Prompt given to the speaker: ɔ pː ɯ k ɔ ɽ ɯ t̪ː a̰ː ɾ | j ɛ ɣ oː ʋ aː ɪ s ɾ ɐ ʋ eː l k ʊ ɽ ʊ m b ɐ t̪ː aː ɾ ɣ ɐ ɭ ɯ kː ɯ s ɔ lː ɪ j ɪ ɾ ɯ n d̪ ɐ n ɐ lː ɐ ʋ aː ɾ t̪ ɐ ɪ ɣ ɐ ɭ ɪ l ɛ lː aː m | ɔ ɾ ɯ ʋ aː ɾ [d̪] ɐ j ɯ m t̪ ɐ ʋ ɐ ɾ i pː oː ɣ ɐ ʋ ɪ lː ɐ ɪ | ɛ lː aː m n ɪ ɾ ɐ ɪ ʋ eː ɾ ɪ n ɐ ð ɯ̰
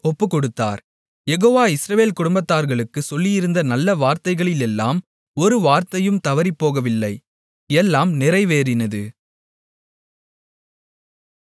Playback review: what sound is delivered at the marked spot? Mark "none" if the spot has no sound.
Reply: t̪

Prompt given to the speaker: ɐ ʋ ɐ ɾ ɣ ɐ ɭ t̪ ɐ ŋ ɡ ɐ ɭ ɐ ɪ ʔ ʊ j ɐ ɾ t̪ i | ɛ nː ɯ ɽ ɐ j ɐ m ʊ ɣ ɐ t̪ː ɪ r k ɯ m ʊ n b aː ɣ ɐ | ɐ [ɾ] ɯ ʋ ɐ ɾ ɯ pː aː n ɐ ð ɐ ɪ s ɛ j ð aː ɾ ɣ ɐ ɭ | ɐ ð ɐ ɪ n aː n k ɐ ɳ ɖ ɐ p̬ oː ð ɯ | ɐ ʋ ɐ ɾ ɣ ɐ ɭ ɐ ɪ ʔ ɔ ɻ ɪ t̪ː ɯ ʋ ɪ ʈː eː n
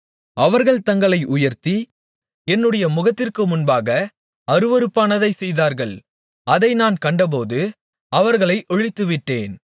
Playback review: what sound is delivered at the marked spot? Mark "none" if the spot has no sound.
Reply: ɾ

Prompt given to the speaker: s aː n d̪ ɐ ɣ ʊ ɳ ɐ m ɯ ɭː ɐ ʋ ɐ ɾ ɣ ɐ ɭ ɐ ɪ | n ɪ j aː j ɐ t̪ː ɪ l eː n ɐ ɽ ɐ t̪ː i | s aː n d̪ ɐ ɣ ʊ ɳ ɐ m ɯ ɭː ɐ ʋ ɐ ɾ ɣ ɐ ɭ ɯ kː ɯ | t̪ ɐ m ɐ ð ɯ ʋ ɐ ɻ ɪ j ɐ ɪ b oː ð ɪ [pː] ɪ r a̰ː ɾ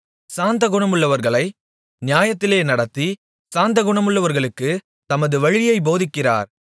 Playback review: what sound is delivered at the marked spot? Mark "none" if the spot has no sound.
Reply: kː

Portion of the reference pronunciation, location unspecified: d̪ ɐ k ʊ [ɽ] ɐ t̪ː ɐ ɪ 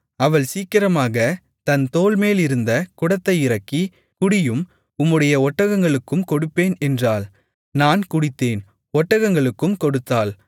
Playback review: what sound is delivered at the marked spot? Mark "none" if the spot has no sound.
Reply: ɽ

